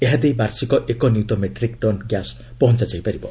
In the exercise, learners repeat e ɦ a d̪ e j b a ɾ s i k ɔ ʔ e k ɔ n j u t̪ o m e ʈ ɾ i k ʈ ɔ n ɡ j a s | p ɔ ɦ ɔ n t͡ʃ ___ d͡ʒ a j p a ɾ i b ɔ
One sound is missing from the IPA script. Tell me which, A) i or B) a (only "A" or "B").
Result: B